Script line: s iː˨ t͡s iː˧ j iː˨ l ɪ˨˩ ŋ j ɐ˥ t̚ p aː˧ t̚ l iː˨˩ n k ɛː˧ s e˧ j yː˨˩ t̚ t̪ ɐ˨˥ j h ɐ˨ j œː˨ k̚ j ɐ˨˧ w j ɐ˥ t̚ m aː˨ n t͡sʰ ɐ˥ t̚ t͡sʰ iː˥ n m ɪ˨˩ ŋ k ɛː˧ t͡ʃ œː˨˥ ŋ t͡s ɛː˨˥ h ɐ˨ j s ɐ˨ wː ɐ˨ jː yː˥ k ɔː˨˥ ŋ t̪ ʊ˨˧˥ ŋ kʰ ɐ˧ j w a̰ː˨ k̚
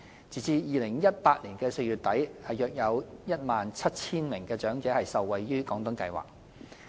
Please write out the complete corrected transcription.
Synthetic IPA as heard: t͡s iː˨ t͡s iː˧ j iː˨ l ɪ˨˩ ŋ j ɐ˥ t̚ p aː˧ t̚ l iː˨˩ n k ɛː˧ s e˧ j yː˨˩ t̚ t̪ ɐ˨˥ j h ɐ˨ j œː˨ k̚ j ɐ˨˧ w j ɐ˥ t̚ m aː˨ n t͡sʰ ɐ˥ t̚ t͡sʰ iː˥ n m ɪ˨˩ ŋ k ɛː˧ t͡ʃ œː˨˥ ŋ t͡s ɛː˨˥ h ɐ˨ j s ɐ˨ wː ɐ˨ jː yː˥ k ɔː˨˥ ŋ t̪ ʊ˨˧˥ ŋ k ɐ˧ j w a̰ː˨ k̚